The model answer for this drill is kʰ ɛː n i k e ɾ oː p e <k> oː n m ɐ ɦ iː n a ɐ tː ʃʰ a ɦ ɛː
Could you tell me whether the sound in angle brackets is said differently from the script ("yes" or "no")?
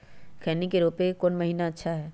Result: no